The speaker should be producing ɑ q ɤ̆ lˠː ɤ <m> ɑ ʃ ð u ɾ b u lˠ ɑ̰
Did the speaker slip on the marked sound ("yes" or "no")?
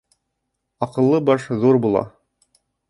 yes